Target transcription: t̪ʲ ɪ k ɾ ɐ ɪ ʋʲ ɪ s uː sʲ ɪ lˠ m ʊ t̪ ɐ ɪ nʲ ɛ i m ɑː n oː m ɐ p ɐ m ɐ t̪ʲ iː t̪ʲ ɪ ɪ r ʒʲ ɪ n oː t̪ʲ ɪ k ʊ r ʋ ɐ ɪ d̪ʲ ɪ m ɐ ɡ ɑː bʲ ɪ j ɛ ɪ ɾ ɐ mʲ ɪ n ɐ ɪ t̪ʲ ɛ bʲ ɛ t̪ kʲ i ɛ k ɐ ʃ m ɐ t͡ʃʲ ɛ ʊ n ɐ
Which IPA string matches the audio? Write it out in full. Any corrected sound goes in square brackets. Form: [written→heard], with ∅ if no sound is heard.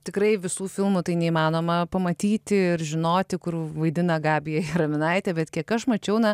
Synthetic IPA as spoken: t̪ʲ ɪ k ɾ ɐ ɪ ʋʲ ɪ s uː [sʲ→fʲ] ɪ lˠ m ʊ t̪ ɐ ɪ nʲ ɛ i m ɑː n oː m ɐ p ɐ m ɐ t̪ʲ iː t̪ʲ ɪ ɪ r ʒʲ ɪ n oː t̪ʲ ɪ k ʊ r ʋ ɐ ɪ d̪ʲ ɪ [m→n] ɐ ɡ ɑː bʲ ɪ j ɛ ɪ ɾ ɐ mʲ ɪ n ɐ ɪ t̪ʲ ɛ bʲ ɛ t̪ kʲ i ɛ k ɐ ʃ m ɐ t͡ʃʲ ɛ ʊ n ɐ